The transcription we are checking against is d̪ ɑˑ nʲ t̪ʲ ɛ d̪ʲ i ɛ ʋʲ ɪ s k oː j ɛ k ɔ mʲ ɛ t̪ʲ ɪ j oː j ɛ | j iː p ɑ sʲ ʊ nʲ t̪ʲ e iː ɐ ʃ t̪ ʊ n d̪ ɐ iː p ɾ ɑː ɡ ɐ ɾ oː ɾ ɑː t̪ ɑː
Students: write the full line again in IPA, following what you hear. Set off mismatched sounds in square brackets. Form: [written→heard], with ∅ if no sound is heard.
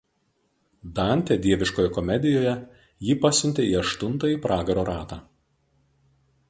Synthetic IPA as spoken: d̪ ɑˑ nʲ t̪ʲ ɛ d̪ʲ i ɛ ʋʲ ɪ [s→ʃ] k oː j ɛ k ɔ mʲ ɛ [t̪ʲ→d̪ʲ] ɪ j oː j ɛ | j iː p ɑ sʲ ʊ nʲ t̪ʲ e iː ɐ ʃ t̪ ʊ n [d̪→t̪] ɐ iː p ɾ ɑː ɡ ɐ ɾ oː ɾ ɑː t̪ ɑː

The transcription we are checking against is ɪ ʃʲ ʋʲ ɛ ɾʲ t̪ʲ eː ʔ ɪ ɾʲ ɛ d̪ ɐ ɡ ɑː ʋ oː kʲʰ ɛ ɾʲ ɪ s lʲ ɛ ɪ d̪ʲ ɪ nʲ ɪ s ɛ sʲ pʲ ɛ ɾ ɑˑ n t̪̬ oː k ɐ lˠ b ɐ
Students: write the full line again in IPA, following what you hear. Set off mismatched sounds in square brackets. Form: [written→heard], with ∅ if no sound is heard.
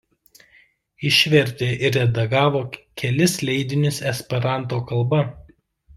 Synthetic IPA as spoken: ɪ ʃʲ ʋʲ ɛ ɾʲ t̪ʲ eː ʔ ɪ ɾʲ ɛ d̪ ɐ ɡ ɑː ʋ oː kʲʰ ɛ [ɾʲ→lʲ] ɪ s lʲ ɛ ɪ d̪ʲ ɪ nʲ ɪ s ɛ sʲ pʲ ɛ ɾ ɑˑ n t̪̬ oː k ɐ lˠ b ɐ

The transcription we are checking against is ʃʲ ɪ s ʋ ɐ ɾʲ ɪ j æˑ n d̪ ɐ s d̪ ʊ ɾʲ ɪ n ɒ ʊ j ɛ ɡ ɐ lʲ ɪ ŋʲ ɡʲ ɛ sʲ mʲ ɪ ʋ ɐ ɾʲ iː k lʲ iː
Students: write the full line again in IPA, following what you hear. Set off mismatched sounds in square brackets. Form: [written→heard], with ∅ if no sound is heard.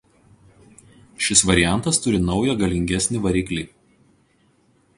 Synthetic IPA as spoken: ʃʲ ɪ s ʋ ɐ ɾʲ ɪ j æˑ n [d̪→t̪] ɐ s [d̪→t̪] ʊ ɾʲ ɪ n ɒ ʊ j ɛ ɡ ɐ lʲ ɪ ŋʲ ɡʲ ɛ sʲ [mʲ→nʲ] ɪ ʋ ɐ ɾʲ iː k lʲ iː

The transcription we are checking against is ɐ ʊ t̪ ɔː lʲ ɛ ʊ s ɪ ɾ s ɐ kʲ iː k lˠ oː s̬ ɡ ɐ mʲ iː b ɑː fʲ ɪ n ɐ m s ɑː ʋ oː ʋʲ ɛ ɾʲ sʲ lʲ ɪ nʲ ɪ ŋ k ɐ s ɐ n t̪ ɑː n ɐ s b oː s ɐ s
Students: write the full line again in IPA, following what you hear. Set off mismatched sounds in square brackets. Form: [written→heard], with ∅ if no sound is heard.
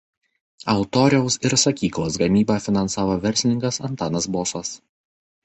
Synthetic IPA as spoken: ɐ ʊ t̪ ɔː [lʲ→ɾʲ] ɛ ʊ s ɪ ɾ s ɐ kʲ iː k lˠ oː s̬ ɡ ɐ mʲ iː b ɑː fʲ ɪ n ɐ [m→n] s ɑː ʋ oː ʋʲ ɛ ɾʲ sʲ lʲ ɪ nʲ ɪ ŋ k ɐ s ɐ n t̪ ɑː n ɐ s b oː s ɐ s

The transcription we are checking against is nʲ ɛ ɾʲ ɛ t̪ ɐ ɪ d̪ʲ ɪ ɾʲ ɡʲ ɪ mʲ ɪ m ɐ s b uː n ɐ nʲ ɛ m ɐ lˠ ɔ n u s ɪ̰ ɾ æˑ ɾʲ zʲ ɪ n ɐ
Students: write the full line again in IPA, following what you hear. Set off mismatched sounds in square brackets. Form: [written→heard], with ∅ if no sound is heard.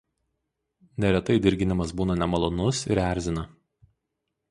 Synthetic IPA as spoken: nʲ ɛ ɾʲ ɛ t̪ ɐ ɪ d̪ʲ ɪ ɾʲ ɡʲ ɪ [mʲ→nʲ] ɪ m ɐ s b uː n ɐ nʲ ɛ m ɐ lˠ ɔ n [u→ʊ] s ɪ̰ ɾ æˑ ɾʲ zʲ ɪ n ɐ

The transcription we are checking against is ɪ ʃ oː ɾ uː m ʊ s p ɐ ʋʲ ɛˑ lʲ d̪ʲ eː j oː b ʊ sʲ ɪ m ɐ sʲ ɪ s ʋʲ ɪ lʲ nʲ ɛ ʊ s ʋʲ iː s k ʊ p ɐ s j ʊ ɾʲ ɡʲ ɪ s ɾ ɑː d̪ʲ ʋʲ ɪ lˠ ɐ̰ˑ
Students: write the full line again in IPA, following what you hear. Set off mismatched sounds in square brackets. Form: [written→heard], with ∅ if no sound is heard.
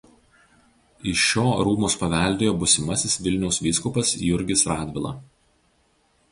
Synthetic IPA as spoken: ɪ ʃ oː ɾ uː m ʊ s p ɐ ʋʲ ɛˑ lʲ d̪ʲ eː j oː b ʊ sʲ ɪ m ɐ sʲ ɪ s ʋʲ ɪ lʲ nʲ ɛ ʊ s ʋʲ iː s k ʊ p ɐ s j ʊ ɾʲ ɡʲ ɪ s ɾ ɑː d̪ʲ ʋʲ ɪ lˠ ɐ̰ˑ

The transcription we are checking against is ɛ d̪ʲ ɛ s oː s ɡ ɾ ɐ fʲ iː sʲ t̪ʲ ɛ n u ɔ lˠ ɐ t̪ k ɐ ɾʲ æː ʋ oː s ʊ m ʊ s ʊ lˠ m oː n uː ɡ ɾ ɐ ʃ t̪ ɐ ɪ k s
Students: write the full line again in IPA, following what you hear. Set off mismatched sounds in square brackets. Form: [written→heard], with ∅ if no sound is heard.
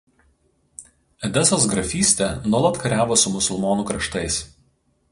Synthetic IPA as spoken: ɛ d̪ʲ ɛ s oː s ɡ ɾ ɐ fʲ iː sʲ t̪ʲ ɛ n u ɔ lˠ ɐ t̪ k ɐ ɾʲ æː ʋ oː s ʊ m ʊ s ʊ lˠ m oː n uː [ɡ→k] ɾ ɐ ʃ t̪ ɐ ɪ [k→∅] s

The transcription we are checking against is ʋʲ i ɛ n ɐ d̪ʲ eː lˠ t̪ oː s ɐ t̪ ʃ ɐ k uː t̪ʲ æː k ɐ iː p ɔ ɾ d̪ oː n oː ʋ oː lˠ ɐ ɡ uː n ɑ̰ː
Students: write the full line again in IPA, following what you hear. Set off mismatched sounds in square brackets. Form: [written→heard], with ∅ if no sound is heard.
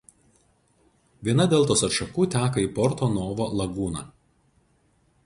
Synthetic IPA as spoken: ʋʲ i ɛ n ɐ d̪ʲ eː lˠ t̪ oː s ɐ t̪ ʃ ɐ k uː t̪ʲ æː k ɐ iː p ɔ ɾ [d̪→t̪] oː n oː ʋ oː lˠ ɐ ɡ uː n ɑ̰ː

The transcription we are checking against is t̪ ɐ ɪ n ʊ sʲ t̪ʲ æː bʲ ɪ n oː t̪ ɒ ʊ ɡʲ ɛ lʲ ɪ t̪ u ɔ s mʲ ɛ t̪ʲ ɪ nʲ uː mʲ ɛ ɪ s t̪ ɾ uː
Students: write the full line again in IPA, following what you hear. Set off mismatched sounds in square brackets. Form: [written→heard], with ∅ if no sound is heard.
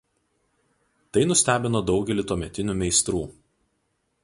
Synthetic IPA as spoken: t̪ ɐ ɪ n ʊ sʲ t̪ʲ æː bʲ ɪ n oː [t̪→d̪] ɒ ʊ ɡʲ ɛ lʲ ɪ t̪ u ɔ [s→∅] mʲ ɛ t̪ʲ ɪ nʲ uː mʲ ɛ ɪ s t̪ ɾ uː

